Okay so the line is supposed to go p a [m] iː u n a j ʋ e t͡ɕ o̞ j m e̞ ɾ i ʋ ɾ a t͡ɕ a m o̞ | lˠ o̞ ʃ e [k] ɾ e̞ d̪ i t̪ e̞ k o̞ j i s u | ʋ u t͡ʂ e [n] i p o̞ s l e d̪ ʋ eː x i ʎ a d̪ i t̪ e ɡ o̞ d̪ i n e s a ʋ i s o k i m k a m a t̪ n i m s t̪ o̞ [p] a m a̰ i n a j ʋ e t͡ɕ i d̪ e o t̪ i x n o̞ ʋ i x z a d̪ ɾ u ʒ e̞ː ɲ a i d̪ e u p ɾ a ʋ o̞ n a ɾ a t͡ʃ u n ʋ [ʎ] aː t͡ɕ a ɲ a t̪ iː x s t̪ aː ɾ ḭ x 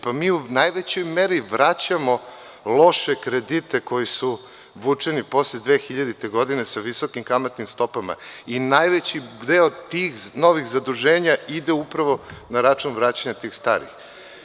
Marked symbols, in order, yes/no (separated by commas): yes, yes, yes, yes, no